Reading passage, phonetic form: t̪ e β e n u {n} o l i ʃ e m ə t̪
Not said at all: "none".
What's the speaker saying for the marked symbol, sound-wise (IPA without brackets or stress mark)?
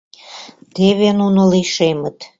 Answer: n